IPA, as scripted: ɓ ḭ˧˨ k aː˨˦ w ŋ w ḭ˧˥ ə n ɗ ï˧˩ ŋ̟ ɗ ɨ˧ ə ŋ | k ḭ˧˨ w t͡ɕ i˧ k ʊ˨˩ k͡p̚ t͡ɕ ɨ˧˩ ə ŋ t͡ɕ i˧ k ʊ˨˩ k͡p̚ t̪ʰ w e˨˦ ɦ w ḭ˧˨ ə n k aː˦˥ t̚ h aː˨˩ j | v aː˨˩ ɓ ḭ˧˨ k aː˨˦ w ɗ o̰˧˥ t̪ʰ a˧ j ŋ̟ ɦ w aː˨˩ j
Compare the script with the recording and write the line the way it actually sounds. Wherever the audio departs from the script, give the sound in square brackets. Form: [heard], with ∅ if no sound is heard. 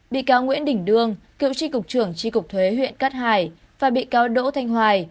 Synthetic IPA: ɓ ḭ˧˨ k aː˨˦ w ŋ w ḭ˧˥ ə n ɗ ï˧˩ ŋ̟ ɗ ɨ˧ ə ŋ | k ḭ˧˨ w t͡ɕ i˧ k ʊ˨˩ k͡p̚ t͡ɕ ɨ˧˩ ə ŋ t͡ɕ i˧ k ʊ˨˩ k͡p̚ t̪ʰ w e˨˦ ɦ w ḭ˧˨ ə n k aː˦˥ t̚ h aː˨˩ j | v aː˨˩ ɓ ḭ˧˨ k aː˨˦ w ɗ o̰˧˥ t̪ʰ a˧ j ŋ̟ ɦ w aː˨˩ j